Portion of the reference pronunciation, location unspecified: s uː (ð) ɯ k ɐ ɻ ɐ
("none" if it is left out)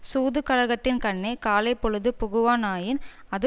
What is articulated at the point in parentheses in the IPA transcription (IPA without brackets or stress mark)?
ð